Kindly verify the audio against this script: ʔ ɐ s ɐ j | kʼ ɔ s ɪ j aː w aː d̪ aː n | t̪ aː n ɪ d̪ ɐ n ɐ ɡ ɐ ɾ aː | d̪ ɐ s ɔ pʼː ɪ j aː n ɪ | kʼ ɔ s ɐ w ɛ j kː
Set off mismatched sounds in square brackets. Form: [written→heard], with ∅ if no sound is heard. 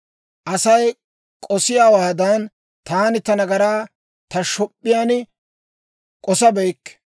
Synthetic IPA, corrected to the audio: ʔ ɐ s ɐ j | kʼ ɔ s ɪ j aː w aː d̪ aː n | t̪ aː n ɪ [d̪→t̪] ɐ n ɐ ɡ ɐ ɾ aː | [d̪→t̪] ɐ [s→ʃ] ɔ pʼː ɪ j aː n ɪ | kʼ ɔ s ɐ [w→b] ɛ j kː